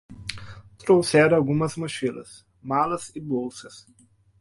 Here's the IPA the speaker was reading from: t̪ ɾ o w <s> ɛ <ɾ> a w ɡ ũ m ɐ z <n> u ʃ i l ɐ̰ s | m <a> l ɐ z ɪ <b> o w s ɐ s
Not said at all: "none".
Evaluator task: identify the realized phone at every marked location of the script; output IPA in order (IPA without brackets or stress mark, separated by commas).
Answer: s, ɾ, m, a, b